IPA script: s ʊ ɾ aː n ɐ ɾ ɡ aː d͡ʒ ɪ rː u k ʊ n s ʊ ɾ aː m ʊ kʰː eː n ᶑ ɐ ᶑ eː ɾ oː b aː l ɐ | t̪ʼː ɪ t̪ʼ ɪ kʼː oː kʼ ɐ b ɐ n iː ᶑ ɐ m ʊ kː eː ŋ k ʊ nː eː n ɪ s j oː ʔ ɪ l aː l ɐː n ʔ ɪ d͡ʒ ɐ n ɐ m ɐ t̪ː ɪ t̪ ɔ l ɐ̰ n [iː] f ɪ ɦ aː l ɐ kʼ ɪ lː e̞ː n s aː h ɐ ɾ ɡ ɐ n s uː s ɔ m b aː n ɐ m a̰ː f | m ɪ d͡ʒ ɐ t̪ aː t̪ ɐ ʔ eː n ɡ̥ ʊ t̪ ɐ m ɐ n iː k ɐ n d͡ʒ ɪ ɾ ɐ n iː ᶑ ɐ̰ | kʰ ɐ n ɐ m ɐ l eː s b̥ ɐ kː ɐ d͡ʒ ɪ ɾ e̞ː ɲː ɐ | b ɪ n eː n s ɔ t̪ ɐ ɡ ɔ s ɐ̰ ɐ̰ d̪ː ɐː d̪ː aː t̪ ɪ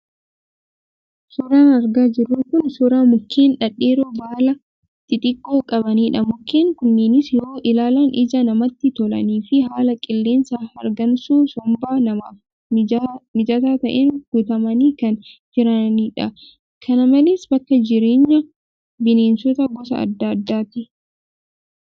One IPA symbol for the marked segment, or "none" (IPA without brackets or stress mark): iː